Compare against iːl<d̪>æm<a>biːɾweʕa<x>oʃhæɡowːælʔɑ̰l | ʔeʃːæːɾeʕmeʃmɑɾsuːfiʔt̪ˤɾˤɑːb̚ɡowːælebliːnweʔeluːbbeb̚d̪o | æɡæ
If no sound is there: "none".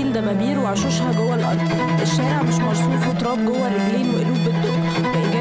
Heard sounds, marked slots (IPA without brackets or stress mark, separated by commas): d̪, æ, ʃ